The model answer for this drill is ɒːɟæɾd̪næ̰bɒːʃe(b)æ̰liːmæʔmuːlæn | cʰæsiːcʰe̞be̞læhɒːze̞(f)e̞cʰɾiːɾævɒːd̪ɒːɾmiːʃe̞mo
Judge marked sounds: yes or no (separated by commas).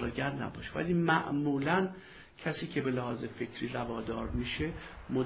no, yes